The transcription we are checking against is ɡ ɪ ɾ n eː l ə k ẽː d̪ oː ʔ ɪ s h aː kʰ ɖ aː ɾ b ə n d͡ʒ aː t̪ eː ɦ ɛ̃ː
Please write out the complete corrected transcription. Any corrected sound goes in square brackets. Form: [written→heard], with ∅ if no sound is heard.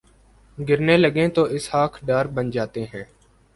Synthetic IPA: ɡ ɪ ɾ n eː l ə [k→ɡ] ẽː [d̪→t̪] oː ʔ ɪ s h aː kʰ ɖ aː ɾ b ə n d͡ʒ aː t̪ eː ɦ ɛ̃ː